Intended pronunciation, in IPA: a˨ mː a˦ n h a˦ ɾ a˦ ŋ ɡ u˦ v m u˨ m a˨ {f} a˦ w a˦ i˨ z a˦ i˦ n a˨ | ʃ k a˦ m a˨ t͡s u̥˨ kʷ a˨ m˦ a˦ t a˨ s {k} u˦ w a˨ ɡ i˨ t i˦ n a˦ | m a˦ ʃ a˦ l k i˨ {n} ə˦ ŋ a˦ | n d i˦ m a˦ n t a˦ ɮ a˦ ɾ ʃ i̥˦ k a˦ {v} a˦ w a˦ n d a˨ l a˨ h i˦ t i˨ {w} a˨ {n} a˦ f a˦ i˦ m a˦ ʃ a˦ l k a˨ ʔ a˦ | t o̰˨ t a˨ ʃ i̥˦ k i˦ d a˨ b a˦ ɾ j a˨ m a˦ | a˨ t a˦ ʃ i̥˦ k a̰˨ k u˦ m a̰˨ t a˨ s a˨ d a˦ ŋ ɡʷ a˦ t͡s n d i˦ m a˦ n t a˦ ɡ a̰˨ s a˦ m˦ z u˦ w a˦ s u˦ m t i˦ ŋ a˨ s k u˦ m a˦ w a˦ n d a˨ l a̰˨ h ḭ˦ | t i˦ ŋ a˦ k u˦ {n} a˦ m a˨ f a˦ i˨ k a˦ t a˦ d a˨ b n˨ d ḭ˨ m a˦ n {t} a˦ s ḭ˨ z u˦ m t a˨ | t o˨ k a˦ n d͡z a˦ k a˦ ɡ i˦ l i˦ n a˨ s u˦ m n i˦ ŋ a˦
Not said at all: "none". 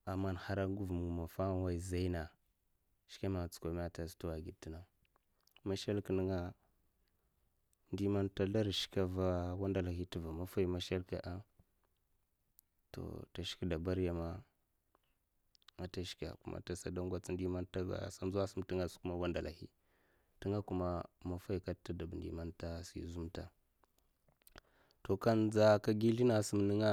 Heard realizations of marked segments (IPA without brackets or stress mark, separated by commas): f, t, n, v, v, m, m, t